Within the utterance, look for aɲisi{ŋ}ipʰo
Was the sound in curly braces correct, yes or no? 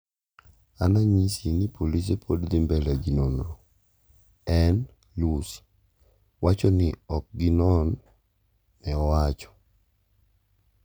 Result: no